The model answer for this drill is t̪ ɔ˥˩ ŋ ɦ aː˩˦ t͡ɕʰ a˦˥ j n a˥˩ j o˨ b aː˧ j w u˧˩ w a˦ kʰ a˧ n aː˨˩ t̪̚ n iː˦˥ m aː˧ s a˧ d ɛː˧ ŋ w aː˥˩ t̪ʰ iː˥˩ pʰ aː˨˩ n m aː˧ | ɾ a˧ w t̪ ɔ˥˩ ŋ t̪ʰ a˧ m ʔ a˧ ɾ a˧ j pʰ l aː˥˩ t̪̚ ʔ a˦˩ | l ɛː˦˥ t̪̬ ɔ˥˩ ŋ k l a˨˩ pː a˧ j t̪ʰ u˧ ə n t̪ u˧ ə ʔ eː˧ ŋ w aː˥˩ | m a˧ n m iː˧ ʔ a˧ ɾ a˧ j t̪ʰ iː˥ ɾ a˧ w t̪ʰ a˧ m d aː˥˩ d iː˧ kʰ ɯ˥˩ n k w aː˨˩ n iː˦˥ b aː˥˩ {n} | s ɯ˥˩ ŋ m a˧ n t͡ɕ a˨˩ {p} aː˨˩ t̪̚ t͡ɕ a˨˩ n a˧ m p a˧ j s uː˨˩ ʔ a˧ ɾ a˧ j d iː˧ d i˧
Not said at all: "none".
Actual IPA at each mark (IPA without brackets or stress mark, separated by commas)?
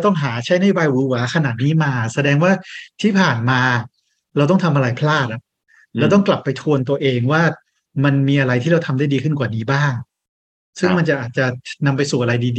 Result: ŋ, ʔ